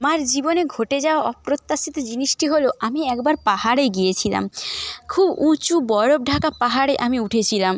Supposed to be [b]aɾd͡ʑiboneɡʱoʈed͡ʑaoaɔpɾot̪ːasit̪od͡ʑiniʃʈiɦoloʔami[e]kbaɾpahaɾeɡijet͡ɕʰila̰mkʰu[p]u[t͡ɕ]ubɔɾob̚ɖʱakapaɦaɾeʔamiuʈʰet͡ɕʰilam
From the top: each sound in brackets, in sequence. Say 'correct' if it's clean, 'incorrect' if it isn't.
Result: incorrect: m, incorrect: ɛ, incorrect: b, correct

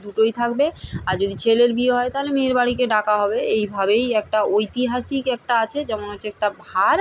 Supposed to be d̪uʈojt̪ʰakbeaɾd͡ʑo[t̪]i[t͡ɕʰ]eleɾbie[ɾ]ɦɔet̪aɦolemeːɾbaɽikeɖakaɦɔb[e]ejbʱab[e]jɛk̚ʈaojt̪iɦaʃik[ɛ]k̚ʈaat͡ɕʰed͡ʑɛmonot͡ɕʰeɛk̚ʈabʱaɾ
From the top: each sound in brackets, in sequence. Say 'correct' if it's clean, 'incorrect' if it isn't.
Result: incorrect: d̪, correct, incorrect: none, correct, correct, correct

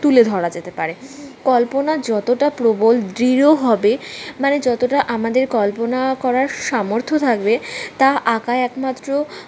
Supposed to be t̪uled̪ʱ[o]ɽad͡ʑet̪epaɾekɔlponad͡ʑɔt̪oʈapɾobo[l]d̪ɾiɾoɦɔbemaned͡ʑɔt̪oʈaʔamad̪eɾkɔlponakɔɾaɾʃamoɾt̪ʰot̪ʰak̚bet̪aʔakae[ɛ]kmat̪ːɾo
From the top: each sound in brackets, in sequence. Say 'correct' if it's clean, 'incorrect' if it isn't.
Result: incorrect: ɔ, correct, correct

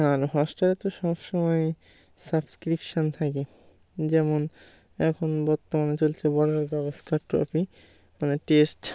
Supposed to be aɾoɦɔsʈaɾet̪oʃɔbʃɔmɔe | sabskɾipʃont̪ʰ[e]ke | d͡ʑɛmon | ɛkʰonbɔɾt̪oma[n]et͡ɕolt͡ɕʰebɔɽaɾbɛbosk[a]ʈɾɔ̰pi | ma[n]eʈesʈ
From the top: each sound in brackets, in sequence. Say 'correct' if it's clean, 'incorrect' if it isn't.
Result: incorrect: a, correct, correct, correct

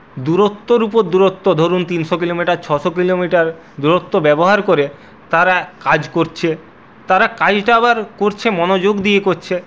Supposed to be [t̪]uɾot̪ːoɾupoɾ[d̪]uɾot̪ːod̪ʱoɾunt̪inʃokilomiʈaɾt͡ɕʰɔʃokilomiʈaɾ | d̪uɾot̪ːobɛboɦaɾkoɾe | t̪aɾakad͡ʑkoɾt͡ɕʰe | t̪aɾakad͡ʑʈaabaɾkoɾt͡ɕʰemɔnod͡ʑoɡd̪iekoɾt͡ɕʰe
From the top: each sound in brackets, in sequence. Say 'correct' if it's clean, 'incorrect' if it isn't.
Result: incorrect: d̪, correct

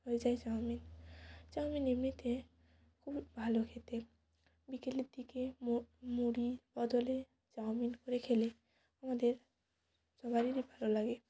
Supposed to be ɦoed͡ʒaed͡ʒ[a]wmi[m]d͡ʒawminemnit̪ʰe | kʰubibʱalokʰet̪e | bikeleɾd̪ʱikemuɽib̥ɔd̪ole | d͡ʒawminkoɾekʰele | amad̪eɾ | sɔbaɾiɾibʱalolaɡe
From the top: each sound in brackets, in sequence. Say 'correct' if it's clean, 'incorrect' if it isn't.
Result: correct, incorrect: n

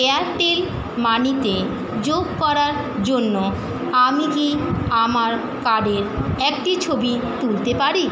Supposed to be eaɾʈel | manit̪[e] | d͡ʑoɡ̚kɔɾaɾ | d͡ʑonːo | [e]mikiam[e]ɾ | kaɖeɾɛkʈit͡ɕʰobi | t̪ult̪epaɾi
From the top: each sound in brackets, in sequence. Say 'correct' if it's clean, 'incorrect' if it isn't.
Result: correct, incorrect: a, incorrect: a

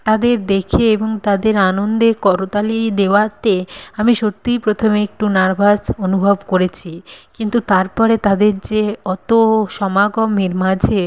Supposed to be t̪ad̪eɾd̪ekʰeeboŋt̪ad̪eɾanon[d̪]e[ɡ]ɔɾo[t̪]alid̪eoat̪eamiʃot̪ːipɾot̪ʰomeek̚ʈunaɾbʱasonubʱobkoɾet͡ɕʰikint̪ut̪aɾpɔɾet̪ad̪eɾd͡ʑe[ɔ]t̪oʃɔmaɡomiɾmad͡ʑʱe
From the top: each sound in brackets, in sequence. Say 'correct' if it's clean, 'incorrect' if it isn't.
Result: correct, incorrect: k, correct, correct

